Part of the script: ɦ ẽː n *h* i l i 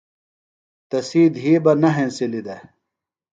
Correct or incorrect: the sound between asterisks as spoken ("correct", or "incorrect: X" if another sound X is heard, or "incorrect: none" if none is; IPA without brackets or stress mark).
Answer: incorrect: s